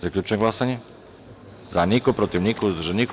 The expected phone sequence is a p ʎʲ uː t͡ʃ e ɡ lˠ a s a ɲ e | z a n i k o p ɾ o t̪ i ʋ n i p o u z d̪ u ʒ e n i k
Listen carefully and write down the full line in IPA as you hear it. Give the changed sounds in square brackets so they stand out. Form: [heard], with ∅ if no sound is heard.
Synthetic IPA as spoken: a [k] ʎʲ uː t͡ʃ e ɡ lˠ a s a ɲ e | z a n i k o p ɾ o t̪ i ʋ n i [k] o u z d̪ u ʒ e n i k